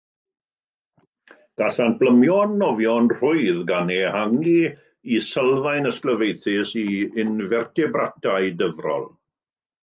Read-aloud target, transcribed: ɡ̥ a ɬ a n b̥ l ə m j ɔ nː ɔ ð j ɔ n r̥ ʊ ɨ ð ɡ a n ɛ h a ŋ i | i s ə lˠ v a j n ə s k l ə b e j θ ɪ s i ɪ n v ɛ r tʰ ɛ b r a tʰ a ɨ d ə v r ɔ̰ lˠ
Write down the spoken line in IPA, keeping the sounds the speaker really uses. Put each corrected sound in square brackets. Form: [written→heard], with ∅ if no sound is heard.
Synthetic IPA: ɡ̥ a ɬ a n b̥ l ə m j ɔ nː ɔ [ð→v] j ɔ n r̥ ʊ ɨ ð ɡ a n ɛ h a ŋ i | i s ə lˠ v a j n ə s k l ə [b→v] e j θ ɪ s i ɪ n v ɛ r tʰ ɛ b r a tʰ a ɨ d ə v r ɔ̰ lˠ